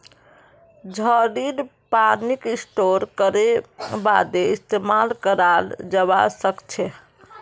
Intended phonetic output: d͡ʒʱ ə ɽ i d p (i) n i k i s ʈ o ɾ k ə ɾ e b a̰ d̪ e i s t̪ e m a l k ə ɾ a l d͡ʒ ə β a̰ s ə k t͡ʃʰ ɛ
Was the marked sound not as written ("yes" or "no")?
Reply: yes